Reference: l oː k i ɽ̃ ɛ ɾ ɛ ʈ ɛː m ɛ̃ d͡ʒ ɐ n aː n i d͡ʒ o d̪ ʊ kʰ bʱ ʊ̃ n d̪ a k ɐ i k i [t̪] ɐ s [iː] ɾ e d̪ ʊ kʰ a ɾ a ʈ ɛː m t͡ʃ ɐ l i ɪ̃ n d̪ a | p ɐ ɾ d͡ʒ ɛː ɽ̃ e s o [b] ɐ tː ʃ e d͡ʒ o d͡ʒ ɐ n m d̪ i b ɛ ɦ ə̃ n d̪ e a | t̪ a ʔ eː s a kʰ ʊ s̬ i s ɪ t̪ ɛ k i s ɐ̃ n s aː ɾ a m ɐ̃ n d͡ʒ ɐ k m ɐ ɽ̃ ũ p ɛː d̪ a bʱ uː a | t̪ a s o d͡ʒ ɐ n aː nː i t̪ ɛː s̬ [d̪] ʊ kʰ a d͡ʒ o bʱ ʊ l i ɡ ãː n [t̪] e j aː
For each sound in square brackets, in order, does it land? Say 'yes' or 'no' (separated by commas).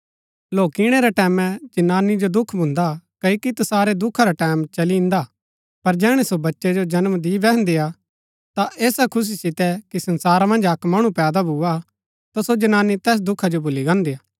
yes, no, yes, yes, no